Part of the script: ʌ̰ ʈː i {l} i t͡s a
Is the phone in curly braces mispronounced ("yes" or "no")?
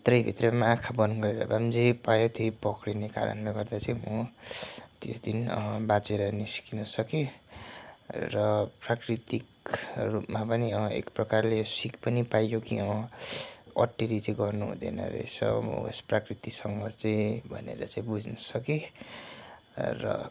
yes